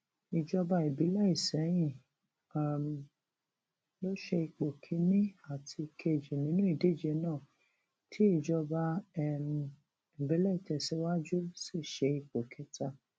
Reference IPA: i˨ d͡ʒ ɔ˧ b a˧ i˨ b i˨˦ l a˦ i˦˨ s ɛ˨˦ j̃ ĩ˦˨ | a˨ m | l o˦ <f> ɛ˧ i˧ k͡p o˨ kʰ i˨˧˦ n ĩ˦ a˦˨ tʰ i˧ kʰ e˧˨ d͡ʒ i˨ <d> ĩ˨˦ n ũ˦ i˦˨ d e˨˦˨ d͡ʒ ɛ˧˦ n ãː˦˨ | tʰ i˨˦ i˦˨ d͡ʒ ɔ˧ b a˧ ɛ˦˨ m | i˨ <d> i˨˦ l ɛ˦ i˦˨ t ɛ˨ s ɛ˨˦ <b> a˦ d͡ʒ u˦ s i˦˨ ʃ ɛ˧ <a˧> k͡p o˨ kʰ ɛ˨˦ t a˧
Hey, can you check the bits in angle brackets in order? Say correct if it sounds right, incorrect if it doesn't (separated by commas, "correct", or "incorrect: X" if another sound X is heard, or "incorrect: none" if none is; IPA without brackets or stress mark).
incorrect: ʃ, incorrect: n, incorrect: b, incorrect: w, incorrect: i˧